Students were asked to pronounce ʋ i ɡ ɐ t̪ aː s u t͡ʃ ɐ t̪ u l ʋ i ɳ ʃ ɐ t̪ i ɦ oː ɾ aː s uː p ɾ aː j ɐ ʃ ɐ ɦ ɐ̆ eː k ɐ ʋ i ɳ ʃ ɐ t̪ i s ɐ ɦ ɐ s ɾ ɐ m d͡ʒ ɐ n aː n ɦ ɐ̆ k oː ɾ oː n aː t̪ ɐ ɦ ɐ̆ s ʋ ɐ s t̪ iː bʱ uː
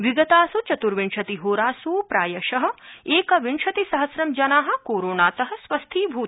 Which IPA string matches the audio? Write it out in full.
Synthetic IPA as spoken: ʋ i ɡ ɐ t̪ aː s u t͡ʃ ɐ t̪ u ɾ ʋ i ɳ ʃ ɐ t̪ i ɦ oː ɾ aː s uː p ɾ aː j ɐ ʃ ɐ ɦ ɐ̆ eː k ɐ ʋ i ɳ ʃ ɐ t̪ i s ɐ ɦ ɐ s ɾ ɐ m d͡ʒ ɐ n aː ɦ ɐ̆ k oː ɾ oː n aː t̪ ɐ ɦ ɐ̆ s ʋ ɐ s t̪ʰ iː bʱ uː